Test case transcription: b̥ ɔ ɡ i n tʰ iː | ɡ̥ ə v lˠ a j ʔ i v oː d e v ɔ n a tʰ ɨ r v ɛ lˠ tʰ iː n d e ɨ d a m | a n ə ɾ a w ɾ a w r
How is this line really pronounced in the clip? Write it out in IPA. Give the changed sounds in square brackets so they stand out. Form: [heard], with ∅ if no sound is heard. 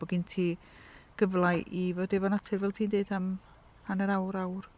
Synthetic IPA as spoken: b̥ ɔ ɡ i n tʰ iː | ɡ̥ ə v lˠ a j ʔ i v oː d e v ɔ n a tʰ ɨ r v ɛ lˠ tʰ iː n d e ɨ d a m | a n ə ɾ a w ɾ a w r